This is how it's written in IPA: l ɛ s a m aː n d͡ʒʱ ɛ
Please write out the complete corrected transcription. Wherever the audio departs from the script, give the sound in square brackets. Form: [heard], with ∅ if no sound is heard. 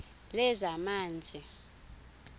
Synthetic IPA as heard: l ɛ [z] a m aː n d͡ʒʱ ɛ

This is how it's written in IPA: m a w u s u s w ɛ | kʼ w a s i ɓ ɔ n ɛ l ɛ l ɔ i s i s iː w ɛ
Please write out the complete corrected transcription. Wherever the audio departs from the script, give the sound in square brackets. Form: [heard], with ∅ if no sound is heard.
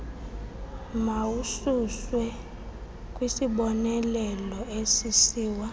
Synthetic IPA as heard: m a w u s u s w ɛ | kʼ w [i] s i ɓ ɔ n ɛ l ɛ l ɔ [e] s i s iː w [a]

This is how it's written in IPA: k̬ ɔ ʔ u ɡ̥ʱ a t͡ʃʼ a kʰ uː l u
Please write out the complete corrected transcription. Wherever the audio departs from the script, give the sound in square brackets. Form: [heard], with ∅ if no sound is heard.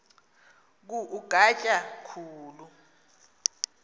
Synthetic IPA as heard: k̬ [u] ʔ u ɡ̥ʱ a t͡ʃʼ a kʰ uː l u

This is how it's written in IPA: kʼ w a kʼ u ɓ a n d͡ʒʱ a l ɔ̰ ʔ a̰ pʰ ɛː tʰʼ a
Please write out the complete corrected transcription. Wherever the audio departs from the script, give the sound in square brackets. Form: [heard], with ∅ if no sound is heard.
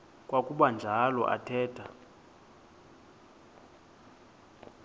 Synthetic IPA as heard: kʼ w a kʼ u ɓ a n d͡ʒʱ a l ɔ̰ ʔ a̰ [tʰ] ɛː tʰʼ a

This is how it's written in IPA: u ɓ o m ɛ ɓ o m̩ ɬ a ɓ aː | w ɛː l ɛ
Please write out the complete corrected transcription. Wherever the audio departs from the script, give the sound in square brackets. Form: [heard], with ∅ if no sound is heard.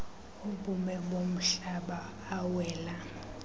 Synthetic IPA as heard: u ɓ [u] m ɛ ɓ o m̩ ɬ a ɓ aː | w ɛː l [a]

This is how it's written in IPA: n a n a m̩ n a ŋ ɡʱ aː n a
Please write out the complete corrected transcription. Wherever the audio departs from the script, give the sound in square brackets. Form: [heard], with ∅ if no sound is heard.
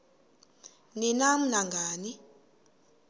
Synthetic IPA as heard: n [i] n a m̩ n a ŋ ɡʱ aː n [i]

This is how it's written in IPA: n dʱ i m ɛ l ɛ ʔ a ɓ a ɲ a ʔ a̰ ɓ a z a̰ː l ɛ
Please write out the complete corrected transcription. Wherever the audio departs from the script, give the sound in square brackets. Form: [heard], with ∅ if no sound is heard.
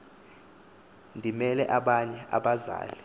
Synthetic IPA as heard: n dʱ i m ɛ l ɛ ʔ a ɓ a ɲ [ɛ] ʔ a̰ ɓ a z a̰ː l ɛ

